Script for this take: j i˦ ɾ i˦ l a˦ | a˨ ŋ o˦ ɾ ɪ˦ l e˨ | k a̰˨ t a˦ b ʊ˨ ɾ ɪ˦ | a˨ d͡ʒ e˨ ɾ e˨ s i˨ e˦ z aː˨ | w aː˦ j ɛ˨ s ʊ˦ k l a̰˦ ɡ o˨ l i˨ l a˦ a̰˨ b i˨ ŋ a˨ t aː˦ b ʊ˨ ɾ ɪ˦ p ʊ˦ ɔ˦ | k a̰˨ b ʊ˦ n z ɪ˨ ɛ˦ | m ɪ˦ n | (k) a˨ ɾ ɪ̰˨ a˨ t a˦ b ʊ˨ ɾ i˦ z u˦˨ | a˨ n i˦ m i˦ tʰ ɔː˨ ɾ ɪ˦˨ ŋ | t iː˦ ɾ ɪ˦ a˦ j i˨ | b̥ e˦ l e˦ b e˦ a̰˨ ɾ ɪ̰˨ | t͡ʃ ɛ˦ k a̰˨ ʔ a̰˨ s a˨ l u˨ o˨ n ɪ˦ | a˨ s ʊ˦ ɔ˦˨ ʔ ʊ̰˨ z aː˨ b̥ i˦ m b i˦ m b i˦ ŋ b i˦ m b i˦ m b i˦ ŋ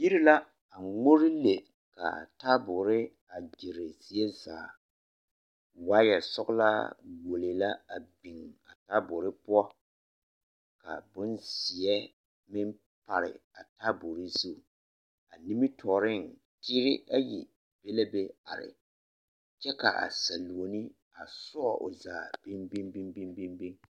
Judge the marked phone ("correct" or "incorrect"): incorrect